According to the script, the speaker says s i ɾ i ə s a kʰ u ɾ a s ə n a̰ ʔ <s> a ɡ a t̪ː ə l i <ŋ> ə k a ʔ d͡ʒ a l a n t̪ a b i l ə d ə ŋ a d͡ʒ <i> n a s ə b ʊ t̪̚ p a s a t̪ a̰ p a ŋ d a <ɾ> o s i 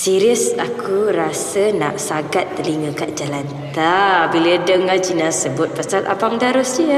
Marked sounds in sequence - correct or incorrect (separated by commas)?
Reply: correct, correct, correct, correct